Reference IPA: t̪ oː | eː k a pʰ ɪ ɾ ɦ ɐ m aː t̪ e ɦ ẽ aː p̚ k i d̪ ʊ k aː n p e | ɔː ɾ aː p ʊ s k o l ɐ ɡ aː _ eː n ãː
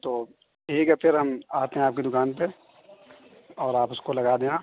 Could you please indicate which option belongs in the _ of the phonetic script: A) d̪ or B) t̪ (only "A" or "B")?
A